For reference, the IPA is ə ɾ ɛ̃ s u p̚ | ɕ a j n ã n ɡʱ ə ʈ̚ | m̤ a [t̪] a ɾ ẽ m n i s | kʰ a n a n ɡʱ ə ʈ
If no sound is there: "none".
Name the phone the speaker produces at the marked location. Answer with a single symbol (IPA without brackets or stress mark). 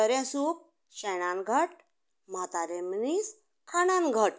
t̪